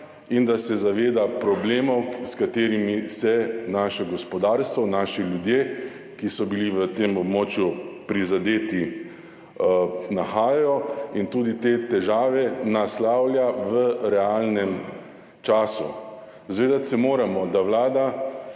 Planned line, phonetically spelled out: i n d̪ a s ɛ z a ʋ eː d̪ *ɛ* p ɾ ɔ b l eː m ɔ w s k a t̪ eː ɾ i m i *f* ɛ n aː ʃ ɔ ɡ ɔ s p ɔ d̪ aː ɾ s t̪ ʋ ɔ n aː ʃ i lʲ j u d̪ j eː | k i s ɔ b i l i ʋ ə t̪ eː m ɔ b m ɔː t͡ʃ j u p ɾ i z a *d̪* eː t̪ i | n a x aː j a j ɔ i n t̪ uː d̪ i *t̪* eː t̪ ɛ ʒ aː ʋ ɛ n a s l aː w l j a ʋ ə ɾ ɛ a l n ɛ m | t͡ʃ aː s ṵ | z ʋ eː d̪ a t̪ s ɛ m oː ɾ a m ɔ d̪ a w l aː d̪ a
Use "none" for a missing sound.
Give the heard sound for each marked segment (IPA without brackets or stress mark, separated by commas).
a, s, d̪, t̪